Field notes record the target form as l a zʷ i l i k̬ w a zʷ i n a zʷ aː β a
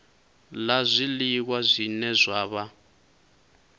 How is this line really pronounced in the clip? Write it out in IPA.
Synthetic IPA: l a zʷ i l i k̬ w a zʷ i n ɛ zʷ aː β a

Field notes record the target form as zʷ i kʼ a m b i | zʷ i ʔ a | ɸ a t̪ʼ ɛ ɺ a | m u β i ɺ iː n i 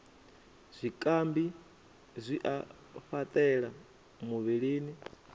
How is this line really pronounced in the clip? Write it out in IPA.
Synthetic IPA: zʷ i kʼ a m b i | zʷ i ʔ a | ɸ a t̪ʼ ɛ ɺ a | m u β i ɺ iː n i

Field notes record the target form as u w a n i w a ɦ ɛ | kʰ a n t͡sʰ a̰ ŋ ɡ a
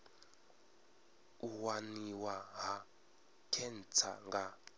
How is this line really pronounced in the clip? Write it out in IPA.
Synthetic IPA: u w a n i w a ɦ a | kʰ ɛ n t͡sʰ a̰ ŋ ɡ a

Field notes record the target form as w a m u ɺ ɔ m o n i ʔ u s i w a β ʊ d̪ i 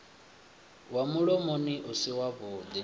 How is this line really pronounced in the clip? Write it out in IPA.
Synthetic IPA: w a m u ɺ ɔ m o n i ʔ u s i w a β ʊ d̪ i

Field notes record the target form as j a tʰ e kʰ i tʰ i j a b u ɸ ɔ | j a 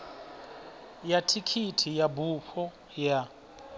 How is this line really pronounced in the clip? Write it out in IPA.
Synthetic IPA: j a tʰ i kʰ i tʰ i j a b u ɸ ɔ | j a

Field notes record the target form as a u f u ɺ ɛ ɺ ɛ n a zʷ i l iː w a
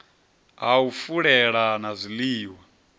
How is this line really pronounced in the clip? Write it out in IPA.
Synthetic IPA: a u f u ɺ ɛ ɺ a n a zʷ i l iː w a

